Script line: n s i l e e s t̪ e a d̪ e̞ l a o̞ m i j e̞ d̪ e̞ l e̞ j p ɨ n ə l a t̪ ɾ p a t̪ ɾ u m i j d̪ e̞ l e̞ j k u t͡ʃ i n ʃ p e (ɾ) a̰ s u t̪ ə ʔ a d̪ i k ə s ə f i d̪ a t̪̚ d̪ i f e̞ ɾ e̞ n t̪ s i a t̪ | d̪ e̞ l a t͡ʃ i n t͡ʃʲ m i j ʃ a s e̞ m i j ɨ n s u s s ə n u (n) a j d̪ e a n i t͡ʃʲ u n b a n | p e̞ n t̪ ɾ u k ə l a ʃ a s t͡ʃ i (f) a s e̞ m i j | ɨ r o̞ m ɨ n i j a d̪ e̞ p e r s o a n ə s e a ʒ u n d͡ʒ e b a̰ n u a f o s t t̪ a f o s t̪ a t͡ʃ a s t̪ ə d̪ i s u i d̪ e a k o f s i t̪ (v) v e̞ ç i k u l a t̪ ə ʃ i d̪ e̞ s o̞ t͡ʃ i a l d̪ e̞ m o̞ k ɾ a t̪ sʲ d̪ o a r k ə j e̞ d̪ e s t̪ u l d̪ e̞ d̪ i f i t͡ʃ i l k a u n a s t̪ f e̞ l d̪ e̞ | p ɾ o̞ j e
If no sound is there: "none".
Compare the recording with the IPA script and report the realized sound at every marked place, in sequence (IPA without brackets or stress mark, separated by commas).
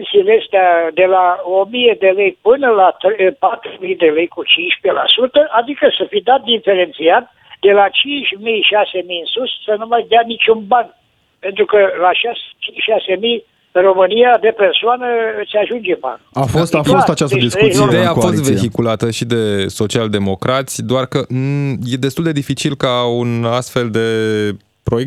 l, m, ʃ, v